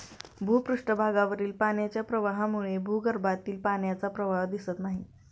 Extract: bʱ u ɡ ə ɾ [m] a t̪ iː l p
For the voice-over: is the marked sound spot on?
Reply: no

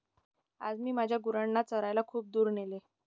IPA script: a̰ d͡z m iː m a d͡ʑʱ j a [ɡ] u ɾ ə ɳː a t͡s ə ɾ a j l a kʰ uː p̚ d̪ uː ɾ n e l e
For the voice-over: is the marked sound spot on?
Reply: yes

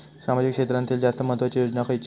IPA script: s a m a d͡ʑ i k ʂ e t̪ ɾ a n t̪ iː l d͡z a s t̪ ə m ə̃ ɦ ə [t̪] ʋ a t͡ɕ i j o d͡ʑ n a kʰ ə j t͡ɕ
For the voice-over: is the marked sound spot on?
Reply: yes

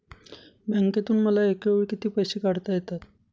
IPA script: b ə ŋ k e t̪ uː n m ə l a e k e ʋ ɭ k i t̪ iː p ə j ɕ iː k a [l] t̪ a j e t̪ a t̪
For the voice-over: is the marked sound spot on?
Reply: no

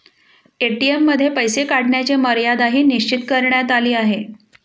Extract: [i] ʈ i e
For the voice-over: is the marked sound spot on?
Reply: no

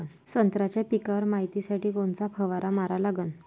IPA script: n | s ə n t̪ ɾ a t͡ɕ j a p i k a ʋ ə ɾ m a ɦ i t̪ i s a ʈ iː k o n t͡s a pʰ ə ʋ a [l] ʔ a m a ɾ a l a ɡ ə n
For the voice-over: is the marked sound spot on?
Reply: no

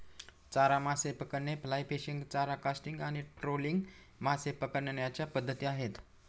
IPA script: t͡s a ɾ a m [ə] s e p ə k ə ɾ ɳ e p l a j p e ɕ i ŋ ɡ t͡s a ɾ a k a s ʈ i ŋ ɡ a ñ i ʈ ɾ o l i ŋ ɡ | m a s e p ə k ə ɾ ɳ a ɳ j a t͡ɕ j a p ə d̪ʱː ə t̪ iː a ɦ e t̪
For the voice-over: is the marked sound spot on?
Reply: no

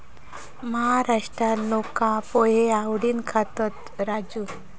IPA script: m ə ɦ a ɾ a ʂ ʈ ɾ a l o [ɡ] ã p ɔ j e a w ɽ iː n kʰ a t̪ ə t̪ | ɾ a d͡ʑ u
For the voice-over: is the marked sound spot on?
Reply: no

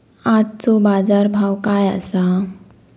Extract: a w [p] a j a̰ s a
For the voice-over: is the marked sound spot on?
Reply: no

